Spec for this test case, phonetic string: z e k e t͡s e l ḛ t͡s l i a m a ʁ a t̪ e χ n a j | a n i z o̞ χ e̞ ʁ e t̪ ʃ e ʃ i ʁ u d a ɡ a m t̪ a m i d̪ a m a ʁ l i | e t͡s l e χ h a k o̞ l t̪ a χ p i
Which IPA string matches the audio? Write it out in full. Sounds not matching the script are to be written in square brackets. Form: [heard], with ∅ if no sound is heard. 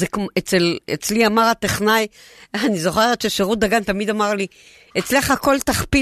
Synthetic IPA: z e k e t͡s e l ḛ t͡s l i a m a ʁ a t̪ e χ n a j | a n i z o̞ χ e̞ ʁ e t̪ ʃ e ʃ [e] ʁ u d a ɡ a [n] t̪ a m i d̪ a m a ʁ l i | e t͡s l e χ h a k o̞ l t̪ a χ p i